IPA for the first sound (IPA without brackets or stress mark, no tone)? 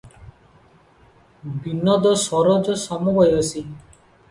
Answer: b